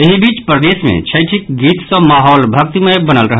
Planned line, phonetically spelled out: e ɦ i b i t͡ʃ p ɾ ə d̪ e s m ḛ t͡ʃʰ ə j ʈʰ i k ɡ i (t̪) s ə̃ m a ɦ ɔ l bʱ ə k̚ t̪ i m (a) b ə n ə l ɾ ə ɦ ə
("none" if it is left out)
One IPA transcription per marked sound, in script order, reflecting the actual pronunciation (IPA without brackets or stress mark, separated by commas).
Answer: t̪, e